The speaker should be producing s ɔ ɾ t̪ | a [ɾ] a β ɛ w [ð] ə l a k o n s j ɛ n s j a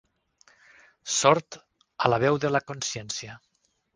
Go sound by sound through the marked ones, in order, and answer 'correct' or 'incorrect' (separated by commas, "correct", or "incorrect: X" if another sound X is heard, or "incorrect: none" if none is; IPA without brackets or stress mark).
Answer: incorrect: l, correct